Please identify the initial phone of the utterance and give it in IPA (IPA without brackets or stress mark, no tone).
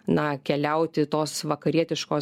n